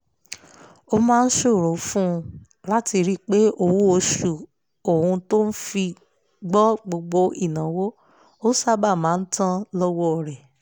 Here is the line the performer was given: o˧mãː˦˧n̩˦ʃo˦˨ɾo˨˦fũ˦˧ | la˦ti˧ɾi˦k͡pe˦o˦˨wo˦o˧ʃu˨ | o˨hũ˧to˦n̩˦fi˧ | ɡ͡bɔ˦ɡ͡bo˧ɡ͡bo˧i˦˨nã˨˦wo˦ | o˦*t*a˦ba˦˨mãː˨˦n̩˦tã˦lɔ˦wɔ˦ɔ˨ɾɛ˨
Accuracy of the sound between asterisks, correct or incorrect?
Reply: incorrect